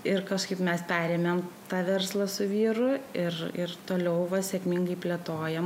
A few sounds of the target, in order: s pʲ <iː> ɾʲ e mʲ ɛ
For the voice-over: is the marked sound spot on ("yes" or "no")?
no